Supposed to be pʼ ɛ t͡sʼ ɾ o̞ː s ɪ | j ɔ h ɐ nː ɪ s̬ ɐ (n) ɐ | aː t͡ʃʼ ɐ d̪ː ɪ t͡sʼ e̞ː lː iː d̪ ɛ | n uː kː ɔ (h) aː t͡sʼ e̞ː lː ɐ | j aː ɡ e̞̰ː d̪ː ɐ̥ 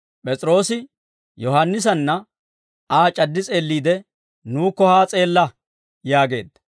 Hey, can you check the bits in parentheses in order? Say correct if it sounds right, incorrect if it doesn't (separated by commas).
incorrect, correct